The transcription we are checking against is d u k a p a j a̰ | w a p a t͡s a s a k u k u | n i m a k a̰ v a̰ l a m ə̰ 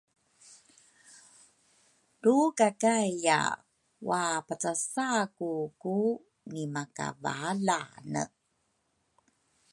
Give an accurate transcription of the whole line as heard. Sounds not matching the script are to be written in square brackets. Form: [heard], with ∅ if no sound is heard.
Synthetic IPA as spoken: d u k a [k] a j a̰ | w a p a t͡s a s a k u k u | n i m a k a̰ v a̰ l a [n] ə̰